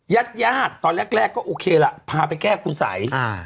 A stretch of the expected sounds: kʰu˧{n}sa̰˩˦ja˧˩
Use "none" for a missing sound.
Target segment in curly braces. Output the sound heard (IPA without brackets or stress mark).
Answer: n